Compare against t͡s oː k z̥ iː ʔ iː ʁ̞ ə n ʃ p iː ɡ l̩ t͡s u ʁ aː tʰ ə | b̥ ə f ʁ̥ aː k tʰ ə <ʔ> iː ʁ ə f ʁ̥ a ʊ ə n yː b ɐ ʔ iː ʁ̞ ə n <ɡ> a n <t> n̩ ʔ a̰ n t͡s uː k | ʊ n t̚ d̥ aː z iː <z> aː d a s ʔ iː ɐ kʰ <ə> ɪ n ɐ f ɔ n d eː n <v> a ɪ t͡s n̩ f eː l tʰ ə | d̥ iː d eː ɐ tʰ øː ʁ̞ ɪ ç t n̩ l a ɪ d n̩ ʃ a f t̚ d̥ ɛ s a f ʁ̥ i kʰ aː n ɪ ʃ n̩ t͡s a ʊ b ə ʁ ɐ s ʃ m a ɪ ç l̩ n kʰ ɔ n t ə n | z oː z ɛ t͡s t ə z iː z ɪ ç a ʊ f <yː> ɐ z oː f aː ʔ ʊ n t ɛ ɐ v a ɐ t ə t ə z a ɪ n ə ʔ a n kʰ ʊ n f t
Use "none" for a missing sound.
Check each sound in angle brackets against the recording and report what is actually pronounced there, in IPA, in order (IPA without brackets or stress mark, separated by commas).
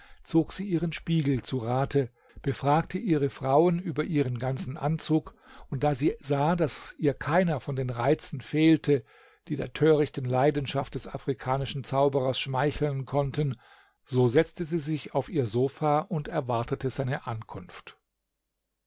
ʔ, ɡ, t͡s, z, a, ʁ, iː